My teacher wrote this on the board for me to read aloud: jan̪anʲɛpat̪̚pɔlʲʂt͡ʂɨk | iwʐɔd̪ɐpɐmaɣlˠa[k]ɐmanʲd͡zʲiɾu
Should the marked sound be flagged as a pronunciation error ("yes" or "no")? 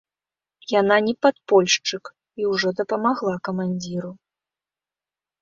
no